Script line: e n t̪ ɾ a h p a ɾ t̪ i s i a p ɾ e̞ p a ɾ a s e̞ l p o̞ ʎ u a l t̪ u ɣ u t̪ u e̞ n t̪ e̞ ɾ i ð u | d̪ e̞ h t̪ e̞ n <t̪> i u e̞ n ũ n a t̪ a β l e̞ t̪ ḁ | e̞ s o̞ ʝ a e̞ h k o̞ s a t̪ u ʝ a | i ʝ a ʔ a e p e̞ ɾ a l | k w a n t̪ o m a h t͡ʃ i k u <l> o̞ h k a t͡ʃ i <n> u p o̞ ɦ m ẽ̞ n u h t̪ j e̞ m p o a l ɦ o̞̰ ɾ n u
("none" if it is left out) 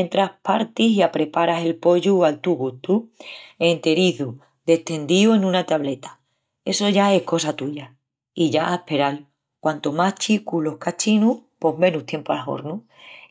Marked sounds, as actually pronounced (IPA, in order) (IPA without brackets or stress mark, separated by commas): d̪, l, n